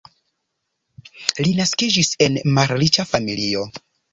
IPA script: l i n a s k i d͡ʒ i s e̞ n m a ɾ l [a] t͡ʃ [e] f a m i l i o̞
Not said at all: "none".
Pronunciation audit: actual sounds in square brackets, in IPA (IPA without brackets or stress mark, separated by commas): i, a